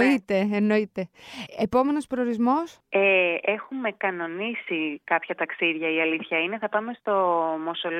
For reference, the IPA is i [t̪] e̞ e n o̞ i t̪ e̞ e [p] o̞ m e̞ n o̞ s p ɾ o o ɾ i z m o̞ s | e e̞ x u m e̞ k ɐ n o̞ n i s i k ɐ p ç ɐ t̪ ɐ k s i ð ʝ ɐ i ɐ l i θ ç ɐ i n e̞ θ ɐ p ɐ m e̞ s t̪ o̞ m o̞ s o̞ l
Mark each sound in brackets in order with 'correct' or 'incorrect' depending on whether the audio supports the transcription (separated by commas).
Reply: correct, correct